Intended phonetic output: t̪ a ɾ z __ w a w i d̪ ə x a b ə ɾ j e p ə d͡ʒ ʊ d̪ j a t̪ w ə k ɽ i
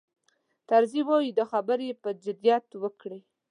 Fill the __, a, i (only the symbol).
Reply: i